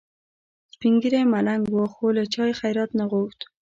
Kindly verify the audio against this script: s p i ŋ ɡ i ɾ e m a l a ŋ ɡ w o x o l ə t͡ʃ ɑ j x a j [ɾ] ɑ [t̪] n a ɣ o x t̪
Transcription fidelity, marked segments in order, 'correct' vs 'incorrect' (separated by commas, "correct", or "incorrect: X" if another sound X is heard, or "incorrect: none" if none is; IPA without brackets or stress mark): correct, correct